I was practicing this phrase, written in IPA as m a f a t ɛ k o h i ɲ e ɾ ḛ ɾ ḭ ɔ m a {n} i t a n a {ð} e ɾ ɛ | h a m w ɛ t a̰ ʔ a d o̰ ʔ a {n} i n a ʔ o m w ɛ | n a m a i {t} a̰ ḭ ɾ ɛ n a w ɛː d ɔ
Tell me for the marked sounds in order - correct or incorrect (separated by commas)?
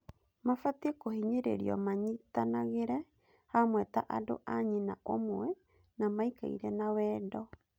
incorrect, incorrect, incorrect, incorrect